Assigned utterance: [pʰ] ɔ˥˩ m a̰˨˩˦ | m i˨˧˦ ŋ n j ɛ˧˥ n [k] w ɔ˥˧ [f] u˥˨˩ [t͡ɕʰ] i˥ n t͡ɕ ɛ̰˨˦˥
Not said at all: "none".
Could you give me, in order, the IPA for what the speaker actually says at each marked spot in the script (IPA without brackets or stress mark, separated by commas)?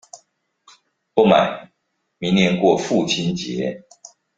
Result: p, k, f, t͡ɕʰ